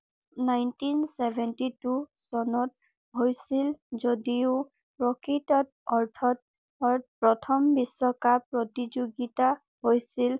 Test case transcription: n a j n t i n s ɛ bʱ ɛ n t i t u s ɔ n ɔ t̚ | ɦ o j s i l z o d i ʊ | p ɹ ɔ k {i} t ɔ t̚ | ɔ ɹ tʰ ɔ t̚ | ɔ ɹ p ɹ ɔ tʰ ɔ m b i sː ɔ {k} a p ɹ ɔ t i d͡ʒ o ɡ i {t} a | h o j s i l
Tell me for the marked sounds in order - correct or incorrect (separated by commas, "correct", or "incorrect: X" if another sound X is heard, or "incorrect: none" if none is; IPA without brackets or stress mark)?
correct, correct, correct